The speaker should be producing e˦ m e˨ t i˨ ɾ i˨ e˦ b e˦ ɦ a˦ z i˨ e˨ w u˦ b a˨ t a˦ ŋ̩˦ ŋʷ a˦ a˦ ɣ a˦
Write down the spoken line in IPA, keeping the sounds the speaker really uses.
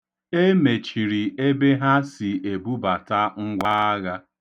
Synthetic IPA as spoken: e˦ m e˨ t͡ʃ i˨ ɾ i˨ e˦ b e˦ ɦ a˦ s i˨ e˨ b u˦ b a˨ t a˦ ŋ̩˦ ɡʷ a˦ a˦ ɣ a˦